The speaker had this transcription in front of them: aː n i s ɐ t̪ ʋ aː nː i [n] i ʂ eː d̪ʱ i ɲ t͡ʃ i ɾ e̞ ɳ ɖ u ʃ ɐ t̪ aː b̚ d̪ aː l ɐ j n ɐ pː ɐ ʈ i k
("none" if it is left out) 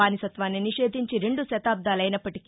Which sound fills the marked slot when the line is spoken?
n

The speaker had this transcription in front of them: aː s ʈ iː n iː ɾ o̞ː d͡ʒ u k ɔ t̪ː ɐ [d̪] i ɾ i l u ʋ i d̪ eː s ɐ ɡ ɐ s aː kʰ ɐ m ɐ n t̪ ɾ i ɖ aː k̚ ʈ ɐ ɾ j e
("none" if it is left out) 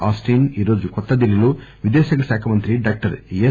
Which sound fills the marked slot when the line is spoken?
d̪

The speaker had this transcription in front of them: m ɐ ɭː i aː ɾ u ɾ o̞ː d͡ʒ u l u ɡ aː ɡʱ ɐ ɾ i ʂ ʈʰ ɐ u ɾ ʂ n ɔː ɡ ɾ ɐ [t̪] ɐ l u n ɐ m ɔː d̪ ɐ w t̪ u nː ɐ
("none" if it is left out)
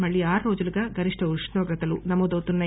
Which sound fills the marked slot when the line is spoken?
t̪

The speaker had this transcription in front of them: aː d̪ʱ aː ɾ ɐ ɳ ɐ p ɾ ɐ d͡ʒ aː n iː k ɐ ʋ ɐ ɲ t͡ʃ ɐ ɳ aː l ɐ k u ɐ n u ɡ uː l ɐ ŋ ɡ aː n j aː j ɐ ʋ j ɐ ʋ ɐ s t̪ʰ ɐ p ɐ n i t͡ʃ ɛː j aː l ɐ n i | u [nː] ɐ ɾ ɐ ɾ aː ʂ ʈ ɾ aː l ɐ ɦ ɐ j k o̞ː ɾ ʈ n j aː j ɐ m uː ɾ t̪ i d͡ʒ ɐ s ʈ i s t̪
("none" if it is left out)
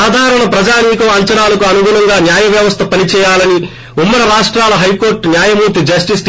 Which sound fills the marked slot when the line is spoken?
mː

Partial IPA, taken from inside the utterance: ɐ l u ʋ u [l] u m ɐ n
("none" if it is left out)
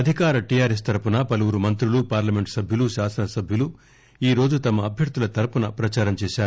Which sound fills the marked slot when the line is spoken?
ɾ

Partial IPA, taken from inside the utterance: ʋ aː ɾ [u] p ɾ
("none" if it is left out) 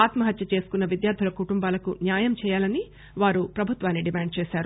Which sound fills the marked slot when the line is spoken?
u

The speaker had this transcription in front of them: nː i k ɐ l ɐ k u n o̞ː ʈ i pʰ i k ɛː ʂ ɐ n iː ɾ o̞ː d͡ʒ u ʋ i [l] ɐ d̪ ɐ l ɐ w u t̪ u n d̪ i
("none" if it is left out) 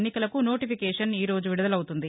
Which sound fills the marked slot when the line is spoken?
ɽ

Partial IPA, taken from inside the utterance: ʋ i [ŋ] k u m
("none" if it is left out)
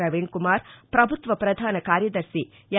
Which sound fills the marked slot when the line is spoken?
ɳ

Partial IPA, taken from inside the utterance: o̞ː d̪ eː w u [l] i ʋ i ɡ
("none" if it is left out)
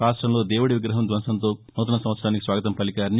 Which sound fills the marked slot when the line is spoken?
ɽ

